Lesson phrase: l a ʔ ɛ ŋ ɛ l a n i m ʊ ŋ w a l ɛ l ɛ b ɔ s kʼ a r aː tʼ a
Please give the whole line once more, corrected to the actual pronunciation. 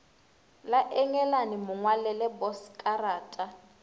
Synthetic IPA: l a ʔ ɛ ŋ ɛ l a n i m ʊ ŋ w a l ɛ l ɛ b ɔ s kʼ a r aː tʼ a

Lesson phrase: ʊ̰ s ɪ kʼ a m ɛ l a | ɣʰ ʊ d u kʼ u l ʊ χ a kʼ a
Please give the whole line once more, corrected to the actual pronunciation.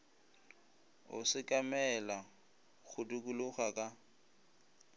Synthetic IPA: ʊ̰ s ɪ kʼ a m ɛ l a | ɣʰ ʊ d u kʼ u l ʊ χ a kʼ a

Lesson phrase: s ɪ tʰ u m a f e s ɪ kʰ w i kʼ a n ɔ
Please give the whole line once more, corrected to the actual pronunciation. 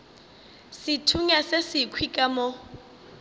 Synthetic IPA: s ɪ tʰ u ɲ a s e s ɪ kʰ w i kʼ a m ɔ

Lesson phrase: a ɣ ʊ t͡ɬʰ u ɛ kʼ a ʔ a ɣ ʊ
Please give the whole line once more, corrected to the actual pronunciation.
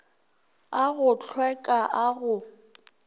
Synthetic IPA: a ɣ ʊ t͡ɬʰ w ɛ kʼ a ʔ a ɣ ʊ

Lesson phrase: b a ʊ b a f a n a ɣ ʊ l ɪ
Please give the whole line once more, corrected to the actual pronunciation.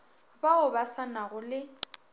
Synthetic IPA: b a ʊ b a s a n a ɣ ʊ l ɪ

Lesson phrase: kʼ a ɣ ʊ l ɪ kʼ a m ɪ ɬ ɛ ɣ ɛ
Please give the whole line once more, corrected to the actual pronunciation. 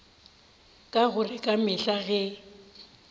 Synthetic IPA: kʼ a ɣ ʊ r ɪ kʼ a m ɪ ɬ a ɣ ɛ

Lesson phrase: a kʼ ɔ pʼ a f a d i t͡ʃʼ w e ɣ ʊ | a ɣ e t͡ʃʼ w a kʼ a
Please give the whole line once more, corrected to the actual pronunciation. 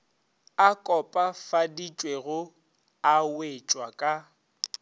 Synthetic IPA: a kʼ ɔ pʼ a f a d i t͡ʃʼ w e ɣ ʊ | a w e t͡ʃʼ w a kʼ a

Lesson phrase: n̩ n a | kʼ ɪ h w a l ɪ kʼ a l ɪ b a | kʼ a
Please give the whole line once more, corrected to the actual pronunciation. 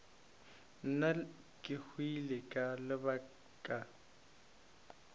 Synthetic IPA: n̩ n a | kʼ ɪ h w i l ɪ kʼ a l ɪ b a | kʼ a

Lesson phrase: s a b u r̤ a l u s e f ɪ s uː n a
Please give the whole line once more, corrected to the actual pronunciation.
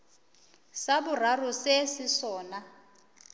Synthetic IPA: s a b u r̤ a r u s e s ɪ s ɔː n a

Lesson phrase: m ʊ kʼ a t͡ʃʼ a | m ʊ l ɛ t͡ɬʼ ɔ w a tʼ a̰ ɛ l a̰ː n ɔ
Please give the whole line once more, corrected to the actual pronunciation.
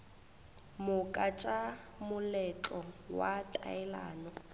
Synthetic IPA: m ʊ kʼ a t͡ʃʼ a | m ʊ l ɛ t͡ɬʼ ɔ w a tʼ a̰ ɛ l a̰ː n ɔ

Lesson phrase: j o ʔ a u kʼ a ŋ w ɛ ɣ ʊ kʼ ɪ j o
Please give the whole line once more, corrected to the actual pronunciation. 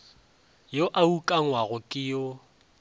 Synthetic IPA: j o ʔ a u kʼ a ŋ w a ɣ ʊ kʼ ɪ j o

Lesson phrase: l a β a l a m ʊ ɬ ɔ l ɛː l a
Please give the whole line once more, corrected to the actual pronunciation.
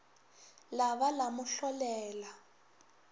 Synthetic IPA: l a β a l a m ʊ ɬ ɔ l ɛː l a

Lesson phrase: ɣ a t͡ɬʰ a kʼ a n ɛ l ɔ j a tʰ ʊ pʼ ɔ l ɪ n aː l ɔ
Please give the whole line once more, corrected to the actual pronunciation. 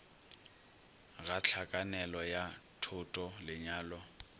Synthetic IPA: ɣ a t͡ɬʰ a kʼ a n ɛ l ɔ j a tʰ ʊ tʼ ɔ l ɪ ɲ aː l ɔ

